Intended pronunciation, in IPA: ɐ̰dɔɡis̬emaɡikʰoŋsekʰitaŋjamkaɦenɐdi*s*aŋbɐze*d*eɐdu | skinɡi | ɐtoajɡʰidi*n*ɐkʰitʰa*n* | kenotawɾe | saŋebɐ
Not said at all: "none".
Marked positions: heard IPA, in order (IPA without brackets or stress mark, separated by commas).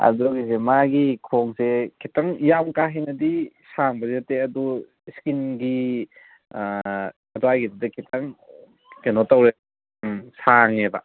s, t, d, ŋ